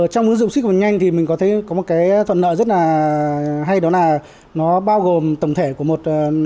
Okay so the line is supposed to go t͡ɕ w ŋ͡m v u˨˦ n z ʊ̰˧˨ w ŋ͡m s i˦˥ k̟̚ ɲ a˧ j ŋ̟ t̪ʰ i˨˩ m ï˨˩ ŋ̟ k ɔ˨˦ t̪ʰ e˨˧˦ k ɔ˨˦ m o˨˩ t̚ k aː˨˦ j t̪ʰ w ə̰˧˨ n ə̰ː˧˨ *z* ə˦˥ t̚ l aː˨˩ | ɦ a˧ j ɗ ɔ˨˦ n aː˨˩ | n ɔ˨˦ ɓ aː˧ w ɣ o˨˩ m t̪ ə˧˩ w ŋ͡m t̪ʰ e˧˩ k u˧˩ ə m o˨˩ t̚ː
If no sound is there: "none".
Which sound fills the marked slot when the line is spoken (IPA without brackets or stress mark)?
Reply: z